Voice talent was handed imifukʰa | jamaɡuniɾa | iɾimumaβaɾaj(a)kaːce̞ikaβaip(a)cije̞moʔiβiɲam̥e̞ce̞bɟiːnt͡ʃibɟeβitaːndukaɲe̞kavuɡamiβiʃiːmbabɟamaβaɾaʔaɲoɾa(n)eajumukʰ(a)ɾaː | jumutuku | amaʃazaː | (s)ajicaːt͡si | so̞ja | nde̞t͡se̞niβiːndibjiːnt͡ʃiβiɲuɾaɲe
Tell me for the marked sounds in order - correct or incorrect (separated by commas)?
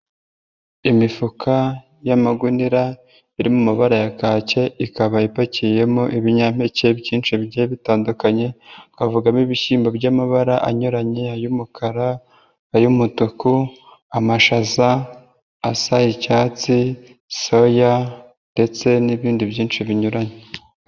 correct, correct, incorrect, correct, correct